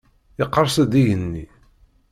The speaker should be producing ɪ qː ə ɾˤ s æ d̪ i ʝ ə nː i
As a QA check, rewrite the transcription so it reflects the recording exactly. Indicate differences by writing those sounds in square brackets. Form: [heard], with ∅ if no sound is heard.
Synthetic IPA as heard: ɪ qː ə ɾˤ s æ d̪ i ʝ ə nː i